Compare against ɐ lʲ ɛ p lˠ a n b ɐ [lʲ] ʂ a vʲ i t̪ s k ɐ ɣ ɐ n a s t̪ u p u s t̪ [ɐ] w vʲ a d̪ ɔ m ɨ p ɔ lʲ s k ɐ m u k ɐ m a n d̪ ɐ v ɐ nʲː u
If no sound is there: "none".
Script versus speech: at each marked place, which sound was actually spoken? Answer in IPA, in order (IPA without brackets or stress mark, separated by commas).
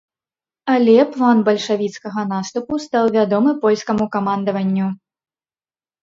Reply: lʲ, a